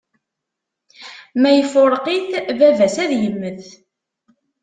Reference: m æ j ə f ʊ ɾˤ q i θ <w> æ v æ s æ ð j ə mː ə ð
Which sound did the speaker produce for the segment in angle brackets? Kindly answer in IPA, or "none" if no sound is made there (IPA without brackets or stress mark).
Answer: v